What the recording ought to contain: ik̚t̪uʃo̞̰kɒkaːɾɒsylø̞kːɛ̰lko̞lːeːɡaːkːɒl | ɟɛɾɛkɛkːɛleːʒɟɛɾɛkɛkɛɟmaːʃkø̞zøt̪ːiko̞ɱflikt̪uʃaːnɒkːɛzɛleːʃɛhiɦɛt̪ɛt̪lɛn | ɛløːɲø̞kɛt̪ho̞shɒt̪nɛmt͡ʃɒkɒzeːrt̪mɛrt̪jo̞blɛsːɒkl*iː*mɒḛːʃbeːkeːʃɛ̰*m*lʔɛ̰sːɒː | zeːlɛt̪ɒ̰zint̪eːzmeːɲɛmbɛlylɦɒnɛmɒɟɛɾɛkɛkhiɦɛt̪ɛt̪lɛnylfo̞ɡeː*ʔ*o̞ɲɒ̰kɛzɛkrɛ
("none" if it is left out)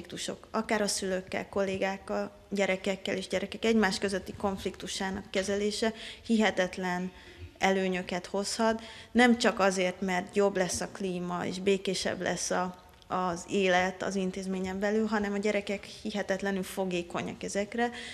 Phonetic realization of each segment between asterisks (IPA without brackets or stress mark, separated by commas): iː, b, k